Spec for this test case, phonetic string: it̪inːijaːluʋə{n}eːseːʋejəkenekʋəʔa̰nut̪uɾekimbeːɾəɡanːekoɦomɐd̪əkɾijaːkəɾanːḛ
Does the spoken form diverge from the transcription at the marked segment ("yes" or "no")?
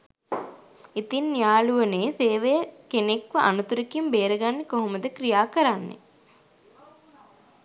no